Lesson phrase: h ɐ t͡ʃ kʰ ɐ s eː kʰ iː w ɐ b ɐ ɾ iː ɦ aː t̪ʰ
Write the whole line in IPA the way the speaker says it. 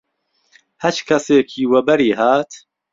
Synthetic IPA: h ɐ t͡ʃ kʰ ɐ s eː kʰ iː w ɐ b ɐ ɾ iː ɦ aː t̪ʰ